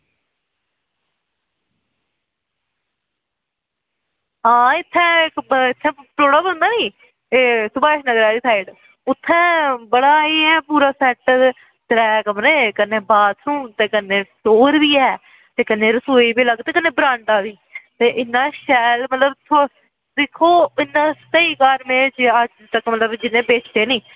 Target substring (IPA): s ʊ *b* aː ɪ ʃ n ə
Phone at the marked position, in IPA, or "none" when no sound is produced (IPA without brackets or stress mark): b